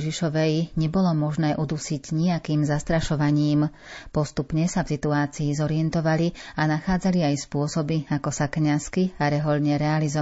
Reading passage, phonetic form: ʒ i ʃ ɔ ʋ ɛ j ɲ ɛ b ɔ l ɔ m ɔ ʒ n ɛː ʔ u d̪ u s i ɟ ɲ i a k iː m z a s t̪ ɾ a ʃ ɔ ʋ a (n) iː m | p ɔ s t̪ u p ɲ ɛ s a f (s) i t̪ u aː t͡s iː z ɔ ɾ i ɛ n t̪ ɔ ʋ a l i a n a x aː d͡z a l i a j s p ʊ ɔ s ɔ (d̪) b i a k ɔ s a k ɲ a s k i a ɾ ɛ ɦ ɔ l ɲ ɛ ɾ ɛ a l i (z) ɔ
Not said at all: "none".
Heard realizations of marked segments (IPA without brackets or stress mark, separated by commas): ɲ, s, none, z